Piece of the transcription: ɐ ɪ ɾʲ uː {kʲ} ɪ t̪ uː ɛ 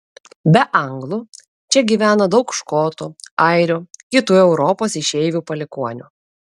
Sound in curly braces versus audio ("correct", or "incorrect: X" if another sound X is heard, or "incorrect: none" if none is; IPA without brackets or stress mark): correct